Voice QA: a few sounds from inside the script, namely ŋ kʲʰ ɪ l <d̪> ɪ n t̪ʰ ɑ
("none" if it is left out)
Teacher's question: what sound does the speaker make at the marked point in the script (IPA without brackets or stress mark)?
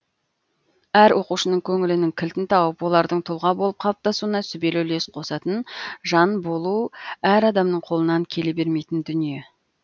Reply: t̪